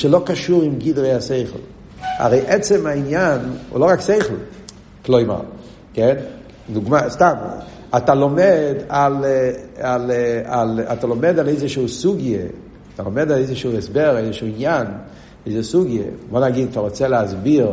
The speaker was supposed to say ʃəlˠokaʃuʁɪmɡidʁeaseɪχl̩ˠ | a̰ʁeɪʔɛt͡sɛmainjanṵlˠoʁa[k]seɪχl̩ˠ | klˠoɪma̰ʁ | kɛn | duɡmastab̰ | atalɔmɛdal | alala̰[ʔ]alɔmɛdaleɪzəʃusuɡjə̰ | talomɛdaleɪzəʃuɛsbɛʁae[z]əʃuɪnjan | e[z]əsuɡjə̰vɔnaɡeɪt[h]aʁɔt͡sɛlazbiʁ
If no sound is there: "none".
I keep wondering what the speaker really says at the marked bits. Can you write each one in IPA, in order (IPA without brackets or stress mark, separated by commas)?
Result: k, t, z, z, f